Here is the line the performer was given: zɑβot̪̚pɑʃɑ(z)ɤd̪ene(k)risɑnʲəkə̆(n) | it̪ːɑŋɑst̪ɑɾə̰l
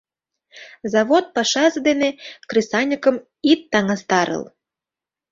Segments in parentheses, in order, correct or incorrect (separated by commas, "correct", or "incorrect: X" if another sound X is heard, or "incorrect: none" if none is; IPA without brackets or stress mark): correct, correct, incorrect: m